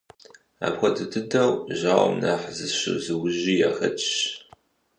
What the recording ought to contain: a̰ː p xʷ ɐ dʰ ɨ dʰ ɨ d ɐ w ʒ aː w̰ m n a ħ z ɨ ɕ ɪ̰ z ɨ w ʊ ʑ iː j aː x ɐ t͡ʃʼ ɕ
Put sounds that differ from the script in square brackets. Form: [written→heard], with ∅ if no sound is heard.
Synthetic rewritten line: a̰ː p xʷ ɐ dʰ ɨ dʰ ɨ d ɐ w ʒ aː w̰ m n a ħ z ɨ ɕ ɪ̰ z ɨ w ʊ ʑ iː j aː x ɐ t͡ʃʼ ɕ